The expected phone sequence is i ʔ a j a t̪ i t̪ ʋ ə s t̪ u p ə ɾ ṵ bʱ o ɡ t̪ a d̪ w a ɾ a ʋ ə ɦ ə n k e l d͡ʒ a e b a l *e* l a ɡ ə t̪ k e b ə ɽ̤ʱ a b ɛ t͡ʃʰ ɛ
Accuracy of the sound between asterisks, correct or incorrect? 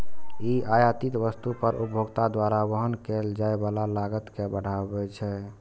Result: incorrect: a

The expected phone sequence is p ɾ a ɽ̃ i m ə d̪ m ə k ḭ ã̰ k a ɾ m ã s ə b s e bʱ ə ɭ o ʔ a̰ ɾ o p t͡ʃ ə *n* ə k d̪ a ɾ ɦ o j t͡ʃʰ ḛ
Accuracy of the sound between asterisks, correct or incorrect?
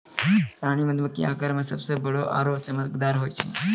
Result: incorrect: m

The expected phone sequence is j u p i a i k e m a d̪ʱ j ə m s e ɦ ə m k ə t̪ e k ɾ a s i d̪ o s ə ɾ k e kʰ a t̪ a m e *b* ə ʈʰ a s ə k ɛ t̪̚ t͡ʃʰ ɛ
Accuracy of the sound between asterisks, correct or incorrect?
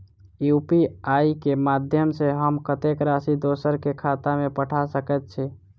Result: incorrect: p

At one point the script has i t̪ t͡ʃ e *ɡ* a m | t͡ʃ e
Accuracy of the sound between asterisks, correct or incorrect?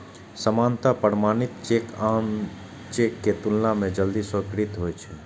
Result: incorrect: k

